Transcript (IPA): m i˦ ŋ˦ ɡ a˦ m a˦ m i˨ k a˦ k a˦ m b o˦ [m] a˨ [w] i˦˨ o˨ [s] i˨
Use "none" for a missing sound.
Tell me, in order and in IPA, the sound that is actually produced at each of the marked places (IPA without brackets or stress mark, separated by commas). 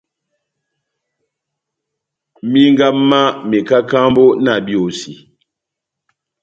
n, b, s